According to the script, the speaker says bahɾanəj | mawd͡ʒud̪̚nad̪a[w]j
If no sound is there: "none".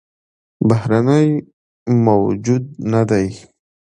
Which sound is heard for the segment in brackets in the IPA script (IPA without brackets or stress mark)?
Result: none